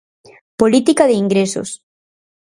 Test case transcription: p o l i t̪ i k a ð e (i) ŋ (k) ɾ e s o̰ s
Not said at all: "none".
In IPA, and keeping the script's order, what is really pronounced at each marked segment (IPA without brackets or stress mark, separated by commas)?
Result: i, ɡ